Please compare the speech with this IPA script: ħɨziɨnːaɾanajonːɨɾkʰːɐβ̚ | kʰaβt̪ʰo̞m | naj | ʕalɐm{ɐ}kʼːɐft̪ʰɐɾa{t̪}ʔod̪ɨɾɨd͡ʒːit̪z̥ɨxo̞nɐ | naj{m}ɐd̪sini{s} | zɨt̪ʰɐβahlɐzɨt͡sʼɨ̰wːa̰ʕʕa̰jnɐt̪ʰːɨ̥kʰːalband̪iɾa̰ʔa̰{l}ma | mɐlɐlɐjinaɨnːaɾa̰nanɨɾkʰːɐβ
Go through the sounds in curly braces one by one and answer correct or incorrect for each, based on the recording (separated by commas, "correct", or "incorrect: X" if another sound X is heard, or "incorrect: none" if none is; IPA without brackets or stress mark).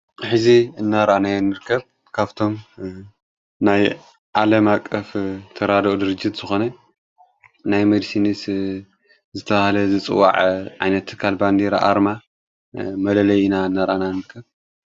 incorrect: a, incorrect: d̪, correct, correct, incorrect: ɾ